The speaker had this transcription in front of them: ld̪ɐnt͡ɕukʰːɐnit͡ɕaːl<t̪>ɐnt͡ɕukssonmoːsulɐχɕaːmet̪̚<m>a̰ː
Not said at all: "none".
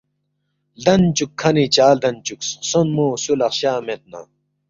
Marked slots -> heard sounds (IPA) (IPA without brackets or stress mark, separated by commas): d̪, n